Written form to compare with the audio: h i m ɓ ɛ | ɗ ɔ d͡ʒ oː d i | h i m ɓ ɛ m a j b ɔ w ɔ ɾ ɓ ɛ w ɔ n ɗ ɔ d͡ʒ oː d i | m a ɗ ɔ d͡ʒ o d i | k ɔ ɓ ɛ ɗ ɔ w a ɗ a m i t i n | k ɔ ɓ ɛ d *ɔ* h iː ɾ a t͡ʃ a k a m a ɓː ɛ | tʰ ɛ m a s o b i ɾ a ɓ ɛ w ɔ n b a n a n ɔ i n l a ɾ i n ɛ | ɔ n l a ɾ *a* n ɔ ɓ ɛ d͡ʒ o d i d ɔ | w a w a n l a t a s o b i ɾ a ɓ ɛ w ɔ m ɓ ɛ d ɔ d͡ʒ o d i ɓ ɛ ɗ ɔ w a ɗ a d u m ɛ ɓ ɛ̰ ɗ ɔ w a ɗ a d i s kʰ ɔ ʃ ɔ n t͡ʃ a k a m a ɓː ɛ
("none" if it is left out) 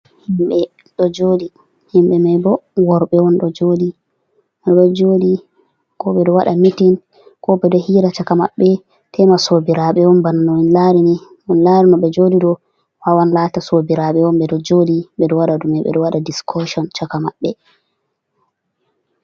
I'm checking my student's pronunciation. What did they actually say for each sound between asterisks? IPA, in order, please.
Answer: ɔ, i

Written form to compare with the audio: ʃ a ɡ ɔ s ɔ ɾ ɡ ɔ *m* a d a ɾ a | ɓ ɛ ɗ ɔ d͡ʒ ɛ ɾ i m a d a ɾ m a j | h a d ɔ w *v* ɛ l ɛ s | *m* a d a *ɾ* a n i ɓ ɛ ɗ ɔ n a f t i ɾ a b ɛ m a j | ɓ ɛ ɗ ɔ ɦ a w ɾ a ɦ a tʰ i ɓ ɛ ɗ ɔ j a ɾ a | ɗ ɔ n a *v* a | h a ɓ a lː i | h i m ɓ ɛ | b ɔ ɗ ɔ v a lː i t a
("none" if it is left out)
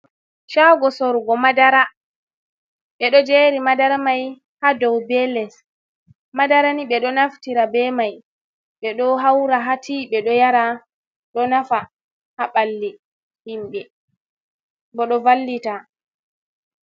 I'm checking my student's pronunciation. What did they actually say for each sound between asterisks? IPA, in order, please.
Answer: m, b, m, ɾ, f

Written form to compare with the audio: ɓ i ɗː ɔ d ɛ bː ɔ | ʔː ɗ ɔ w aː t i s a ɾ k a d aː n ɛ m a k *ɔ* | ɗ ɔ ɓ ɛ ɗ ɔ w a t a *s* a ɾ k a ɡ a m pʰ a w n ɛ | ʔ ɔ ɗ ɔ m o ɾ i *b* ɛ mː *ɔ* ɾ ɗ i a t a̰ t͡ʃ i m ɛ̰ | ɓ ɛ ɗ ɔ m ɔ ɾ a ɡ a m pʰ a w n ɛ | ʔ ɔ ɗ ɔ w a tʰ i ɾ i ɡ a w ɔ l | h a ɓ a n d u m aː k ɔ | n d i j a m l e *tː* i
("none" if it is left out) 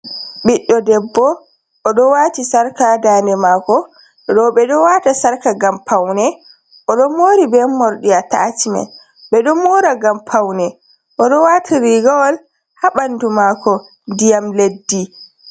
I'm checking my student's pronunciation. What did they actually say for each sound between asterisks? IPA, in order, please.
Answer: ɔ, s, b, ɔ, dː

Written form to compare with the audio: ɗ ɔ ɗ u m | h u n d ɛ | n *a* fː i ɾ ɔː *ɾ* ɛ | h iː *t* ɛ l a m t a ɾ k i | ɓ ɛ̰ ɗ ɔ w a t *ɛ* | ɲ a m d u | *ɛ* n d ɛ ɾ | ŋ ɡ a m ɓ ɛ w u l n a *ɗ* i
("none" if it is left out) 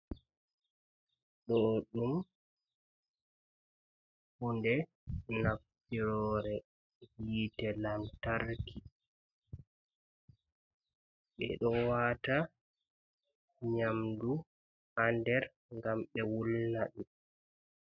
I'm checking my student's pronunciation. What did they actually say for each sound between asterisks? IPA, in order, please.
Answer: a, ɾ, t, a, a, ɗ

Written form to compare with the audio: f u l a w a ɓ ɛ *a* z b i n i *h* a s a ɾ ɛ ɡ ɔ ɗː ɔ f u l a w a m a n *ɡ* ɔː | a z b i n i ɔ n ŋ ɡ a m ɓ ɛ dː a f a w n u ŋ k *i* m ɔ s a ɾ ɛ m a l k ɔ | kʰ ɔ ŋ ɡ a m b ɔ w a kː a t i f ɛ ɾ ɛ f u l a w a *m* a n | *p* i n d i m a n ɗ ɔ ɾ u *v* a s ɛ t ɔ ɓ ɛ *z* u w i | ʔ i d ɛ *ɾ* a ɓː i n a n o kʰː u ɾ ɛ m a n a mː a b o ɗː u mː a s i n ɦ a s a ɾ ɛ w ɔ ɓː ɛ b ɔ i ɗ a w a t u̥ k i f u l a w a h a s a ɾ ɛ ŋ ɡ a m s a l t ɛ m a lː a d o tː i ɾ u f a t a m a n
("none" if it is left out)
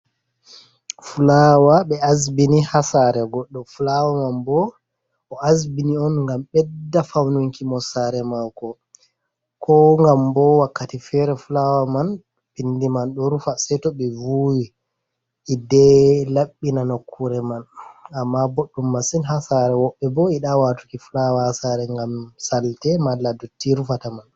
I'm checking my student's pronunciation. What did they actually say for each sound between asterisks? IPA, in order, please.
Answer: a, h, b, i, m, p, f, v, l

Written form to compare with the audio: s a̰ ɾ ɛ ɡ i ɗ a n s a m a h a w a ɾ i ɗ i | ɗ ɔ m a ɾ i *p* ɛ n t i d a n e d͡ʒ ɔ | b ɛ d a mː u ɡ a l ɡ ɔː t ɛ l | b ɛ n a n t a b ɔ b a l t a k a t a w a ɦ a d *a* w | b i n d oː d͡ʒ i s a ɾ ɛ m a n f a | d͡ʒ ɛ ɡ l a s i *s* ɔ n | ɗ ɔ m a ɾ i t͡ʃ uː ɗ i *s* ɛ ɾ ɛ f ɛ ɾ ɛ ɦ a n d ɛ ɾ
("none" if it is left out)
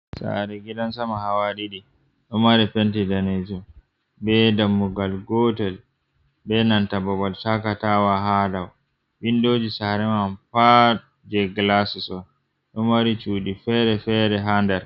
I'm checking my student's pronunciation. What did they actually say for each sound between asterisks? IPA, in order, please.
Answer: p, a, s, f

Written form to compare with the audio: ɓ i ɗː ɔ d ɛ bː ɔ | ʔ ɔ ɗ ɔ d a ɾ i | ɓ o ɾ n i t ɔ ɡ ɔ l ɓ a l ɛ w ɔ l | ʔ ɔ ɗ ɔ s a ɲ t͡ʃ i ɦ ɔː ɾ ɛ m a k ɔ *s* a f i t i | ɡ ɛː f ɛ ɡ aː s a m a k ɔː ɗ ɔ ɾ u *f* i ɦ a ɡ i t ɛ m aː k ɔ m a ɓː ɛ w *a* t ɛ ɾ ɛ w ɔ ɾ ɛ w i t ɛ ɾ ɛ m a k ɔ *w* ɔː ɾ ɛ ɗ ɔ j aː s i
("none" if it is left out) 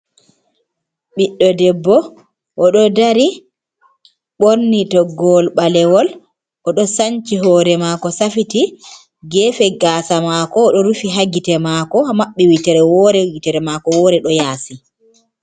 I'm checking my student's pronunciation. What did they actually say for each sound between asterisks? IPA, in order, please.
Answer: s, f, i, w

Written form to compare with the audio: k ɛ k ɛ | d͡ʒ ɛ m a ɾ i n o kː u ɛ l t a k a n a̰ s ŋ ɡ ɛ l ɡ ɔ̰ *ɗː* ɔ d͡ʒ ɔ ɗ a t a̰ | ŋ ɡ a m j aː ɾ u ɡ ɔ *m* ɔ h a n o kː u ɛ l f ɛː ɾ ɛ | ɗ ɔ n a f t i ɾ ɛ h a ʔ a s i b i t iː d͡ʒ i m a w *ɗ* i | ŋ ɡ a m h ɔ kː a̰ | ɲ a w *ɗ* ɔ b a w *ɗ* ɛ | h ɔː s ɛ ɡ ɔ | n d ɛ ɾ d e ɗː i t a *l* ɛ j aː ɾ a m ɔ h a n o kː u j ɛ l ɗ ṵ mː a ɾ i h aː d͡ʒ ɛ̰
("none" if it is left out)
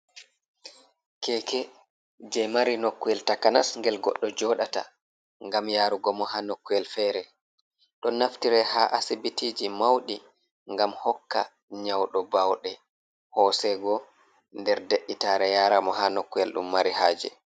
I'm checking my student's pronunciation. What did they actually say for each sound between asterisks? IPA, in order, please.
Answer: ɗː, m, ɗ, ɗ, ɗ, ɾ

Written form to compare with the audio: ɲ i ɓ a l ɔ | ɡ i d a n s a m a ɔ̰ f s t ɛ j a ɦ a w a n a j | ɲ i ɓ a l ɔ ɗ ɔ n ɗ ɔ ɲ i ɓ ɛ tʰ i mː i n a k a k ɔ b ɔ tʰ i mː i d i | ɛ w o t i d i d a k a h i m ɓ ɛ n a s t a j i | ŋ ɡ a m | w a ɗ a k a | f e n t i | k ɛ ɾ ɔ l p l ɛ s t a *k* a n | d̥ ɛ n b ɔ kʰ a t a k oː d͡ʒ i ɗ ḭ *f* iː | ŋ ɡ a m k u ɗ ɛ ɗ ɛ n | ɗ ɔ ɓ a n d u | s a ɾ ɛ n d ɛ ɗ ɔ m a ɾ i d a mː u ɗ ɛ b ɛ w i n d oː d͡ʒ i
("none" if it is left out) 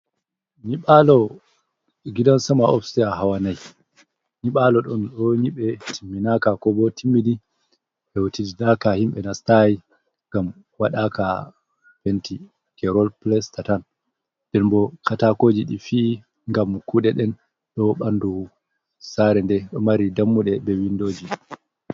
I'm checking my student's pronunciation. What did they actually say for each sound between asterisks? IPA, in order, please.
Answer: t, f

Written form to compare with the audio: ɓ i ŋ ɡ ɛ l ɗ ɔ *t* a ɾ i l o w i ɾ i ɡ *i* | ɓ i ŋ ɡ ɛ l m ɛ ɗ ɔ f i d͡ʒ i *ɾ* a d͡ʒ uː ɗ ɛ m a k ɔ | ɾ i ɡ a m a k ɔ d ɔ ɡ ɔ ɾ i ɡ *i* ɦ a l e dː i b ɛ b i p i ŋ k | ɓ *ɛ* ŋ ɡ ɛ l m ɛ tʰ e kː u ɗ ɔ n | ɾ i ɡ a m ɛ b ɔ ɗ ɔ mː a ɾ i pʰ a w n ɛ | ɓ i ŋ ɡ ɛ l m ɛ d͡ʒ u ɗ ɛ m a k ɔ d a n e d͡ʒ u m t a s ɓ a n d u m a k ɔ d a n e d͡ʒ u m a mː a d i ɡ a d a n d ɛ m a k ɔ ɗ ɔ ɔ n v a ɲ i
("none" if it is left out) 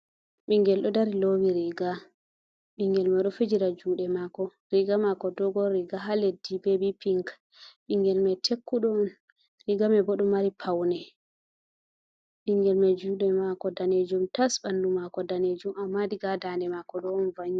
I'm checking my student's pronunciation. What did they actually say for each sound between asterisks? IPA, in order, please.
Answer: d, a, ɾ, a, i

